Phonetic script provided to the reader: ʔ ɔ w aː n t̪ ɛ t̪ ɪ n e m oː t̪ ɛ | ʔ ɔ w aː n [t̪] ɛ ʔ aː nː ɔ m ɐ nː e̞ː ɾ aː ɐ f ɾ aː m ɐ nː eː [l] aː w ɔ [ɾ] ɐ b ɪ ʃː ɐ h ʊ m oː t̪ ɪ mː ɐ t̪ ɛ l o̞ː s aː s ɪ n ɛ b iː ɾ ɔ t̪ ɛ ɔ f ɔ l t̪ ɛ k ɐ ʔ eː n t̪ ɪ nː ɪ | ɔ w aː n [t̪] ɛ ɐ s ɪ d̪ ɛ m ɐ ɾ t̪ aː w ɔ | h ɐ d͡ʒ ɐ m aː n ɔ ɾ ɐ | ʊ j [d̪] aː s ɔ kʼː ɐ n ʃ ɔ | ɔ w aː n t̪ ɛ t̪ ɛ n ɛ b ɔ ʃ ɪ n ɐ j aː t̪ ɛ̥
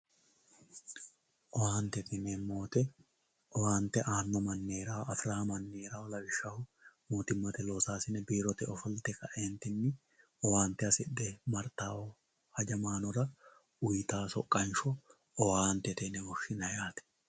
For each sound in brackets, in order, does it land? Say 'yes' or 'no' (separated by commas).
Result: yes, no, no, yes, no